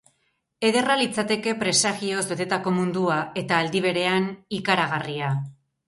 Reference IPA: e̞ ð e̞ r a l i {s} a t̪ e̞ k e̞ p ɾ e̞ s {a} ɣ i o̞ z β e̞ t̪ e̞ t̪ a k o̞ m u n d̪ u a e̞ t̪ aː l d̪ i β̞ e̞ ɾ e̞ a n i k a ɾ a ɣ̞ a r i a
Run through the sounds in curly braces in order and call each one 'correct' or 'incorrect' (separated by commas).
incorrect, correct